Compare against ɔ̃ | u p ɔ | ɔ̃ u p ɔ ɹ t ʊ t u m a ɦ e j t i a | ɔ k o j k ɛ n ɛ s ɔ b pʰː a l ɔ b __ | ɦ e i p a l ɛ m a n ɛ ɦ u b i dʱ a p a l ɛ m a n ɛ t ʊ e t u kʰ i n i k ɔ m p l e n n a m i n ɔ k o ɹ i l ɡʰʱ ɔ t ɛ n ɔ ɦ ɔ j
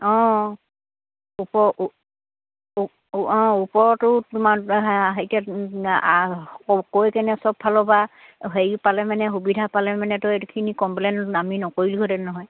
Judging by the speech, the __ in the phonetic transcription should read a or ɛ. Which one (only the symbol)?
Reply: a